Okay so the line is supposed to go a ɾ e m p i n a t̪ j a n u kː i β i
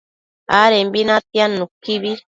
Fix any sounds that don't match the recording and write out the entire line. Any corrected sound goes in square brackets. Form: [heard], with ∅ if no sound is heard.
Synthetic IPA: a ɾ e m [b] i n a t̪ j a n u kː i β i